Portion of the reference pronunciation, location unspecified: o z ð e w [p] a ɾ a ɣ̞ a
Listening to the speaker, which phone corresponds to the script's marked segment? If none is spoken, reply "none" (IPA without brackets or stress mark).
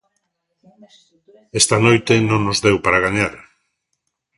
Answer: p